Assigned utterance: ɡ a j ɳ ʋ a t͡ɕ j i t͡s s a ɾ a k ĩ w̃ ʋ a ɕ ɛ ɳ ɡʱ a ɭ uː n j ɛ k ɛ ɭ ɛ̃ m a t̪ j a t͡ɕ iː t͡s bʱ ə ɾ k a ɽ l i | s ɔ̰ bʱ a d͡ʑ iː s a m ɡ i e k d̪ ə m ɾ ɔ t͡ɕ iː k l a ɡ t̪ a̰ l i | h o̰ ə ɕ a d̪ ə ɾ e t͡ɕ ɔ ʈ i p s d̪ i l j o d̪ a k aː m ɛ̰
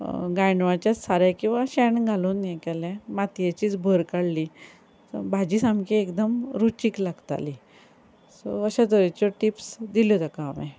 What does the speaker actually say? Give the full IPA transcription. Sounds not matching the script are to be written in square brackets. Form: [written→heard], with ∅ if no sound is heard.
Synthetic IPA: ɡ a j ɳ ʋ a t͡ɕ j [i→a] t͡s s a ɾ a k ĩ w̃ ʋ a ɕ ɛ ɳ ɡʱ a [ɭ→l] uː n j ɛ k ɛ [ɭ→l] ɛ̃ m a t̪ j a t͡ɕ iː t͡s bʱ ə ɾ k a ɽ l i | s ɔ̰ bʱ a d͡ʑ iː s a m [ɡ→k] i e k d̪ ə m ɾ [ɔ→u] t͡ɕ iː k l a ɡ t̪ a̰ l i | [h→s] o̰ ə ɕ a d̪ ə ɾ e t͡ɕ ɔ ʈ i p s d̪ i l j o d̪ a k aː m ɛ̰